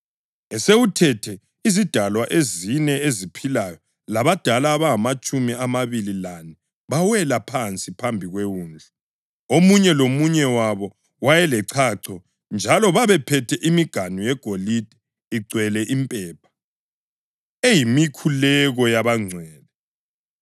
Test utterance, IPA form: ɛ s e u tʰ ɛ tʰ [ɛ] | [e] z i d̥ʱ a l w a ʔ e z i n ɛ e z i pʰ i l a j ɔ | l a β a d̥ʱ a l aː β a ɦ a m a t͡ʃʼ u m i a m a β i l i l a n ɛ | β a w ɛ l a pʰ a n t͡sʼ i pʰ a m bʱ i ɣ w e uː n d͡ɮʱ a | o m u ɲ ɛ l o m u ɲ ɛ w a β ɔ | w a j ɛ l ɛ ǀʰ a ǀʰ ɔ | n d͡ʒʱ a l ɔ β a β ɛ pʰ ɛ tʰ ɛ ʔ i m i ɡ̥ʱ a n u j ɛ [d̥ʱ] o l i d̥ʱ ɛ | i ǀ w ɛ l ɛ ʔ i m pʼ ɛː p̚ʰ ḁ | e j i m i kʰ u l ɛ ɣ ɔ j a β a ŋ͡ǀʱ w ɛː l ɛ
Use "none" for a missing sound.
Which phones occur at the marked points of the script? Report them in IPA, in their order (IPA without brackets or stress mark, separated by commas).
ɛ, i, ɡ̥ʱ